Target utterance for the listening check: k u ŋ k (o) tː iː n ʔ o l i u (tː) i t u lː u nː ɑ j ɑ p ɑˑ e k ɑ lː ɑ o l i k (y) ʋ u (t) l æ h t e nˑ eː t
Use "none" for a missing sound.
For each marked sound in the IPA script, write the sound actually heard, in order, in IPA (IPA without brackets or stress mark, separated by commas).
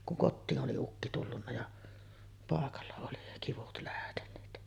o, kː, i, t